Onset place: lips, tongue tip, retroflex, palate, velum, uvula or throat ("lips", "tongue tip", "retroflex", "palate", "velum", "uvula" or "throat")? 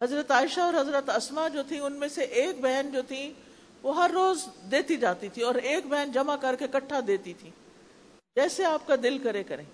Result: throat